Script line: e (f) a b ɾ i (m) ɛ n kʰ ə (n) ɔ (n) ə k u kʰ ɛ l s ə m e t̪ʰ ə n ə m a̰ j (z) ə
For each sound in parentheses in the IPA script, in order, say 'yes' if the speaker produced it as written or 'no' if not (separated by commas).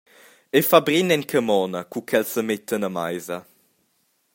yes, no, no, yes, yes